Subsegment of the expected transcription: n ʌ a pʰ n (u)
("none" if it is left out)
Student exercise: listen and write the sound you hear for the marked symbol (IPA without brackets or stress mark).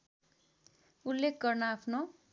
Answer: o